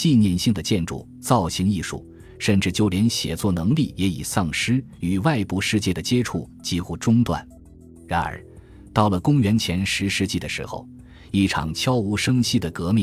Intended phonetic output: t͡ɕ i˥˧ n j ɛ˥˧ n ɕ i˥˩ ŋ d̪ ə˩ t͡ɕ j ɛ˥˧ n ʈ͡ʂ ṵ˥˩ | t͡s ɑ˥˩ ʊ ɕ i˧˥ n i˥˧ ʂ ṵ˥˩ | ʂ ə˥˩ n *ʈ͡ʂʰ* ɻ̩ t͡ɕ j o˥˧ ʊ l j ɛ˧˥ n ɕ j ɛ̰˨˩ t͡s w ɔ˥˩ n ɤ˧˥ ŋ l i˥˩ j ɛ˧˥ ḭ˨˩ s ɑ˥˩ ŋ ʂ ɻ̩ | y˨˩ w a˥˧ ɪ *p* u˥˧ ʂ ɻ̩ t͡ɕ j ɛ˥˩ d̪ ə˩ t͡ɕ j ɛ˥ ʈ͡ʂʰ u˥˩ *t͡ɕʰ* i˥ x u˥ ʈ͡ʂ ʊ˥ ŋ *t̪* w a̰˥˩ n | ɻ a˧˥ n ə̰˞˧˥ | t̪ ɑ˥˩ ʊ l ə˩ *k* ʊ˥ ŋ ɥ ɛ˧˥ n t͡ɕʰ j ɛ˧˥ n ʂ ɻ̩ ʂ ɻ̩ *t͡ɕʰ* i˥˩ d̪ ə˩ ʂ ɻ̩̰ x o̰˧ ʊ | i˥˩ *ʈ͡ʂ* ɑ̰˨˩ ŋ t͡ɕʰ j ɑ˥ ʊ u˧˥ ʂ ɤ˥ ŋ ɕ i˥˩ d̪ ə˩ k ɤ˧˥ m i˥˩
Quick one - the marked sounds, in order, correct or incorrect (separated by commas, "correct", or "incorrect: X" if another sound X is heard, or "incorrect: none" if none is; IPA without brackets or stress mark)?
incorrect: ʈ͡ʂ, correct, incorrect: t͡ɕ, correct, correct, incorrect: t͡ɕ, incorrect: ʈ͡ʂʰ